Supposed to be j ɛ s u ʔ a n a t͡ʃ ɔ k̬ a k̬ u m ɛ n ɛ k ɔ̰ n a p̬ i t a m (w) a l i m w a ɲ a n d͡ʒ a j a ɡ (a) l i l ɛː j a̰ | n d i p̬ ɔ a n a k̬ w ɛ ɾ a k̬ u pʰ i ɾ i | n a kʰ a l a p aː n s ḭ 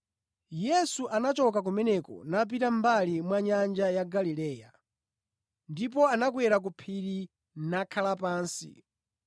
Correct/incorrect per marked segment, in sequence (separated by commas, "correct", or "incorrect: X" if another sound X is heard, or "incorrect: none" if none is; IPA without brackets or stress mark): incorrect: b, correct